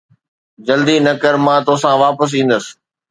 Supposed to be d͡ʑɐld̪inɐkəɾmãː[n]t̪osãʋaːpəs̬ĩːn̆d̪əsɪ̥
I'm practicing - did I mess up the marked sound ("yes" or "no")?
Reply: yes